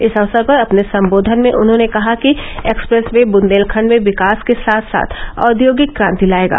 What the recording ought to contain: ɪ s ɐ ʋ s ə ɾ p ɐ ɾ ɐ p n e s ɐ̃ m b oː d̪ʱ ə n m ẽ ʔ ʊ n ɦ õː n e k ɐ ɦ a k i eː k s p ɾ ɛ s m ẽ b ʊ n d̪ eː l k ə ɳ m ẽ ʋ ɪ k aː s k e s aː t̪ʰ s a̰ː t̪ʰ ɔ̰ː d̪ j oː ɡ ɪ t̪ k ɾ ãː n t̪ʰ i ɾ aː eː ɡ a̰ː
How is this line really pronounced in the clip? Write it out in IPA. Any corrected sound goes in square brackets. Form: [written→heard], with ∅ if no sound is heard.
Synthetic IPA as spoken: ɪ s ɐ ʋ s ə ɾ p ɐ ɾ ɐ p n e s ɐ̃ m b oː d̪ʱ ə n m ẽ ʔ ʊ n ɦ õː n e k ɐ ɦ a k i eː k s p ɾ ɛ s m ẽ b ʊ n d̪ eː l [k→kʰ] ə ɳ m ẽ ʋ ɪ k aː s k e s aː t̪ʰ s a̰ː t̪ʰ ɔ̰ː d̪ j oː ɡ ɪ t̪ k ɾ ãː n [t̪ʰ→t̪] i [ɾ→l] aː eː ɡ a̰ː